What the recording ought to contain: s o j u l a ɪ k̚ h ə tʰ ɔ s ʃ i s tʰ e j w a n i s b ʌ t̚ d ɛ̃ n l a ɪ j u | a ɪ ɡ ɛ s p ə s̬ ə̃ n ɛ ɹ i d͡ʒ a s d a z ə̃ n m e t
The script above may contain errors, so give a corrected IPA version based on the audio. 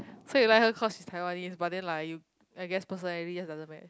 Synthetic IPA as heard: s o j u l a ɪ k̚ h ə kʰ ɔ s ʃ i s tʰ a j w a n i s b a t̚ d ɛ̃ n l a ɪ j u | a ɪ ɡ ɛ s p ə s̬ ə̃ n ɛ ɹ i d͡ʒ a s d a z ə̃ n m ɛ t